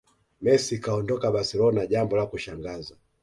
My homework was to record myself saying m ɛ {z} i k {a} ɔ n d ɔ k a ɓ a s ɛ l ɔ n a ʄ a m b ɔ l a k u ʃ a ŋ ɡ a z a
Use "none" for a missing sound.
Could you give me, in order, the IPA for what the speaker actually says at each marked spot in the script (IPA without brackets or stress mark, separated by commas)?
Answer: s, a